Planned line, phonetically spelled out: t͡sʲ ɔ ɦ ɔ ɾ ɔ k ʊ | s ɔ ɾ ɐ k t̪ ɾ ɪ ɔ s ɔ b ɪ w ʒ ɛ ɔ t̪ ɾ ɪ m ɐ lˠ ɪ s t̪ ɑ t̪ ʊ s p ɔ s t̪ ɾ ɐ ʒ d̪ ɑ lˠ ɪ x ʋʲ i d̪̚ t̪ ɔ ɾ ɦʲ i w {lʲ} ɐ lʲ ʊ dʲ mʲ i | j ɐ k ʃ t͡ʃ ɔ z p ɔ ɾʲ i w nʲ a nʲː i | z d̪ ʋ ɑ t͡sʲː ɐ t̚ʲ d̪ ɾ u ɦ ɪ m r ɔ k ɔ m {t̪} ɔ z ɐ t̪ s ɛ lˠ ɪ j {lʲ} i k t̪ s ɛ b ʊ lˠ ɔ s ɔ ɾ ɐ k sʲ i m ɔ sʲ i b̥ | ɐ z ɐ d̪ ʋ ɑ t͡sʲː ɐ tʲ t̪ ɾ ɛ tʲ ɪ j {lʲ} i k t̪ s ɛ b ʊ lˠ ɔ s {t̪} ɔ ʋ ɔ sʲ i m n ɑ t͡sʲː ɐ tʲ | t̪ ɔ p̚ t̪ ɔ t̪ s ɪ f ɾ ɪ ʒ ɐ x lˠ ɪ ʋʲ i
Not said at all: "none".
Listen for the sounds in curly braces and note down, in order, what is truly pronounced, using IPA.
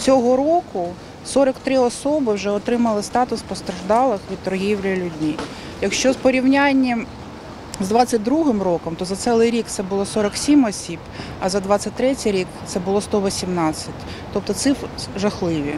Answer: lʲ, t̪, ɾʲ, ɾʲ, t̪

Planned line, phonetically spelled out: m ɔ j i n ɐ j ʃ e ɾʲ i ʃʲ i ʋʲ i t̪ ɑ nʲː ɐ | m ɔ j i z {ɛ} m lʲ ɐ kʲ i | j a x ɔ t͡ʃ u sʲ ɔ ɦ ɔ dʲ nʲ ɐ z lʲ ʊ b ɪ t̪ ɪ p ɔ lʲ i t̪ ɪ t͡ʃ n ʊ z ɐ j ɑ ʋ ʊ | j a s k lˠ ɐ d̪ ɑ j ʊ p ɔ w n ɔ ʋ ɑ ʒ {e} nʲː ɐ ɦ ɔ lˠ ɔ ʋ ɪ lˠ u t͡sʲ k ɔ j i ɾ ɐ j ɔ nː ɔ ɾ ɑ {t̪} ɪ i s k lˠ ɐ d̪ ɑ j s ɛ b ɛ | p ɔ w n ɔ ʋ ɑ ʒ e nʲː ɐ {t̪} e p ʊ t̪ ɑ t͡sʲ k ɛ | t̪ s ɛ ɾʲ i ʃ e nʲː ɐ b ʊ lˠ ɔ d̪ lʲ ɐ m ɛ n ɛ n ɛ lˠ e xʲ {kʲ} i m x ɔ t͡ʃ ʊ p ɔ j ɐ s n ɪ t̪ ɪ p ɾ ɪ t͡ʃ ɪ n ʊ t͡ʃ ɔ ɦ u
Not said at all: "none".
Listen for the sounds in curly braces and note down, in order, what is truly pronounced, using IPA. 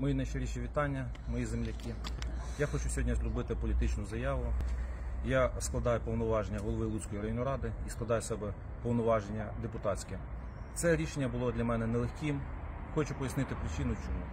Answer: e, e, d̪, d̪, kʲ

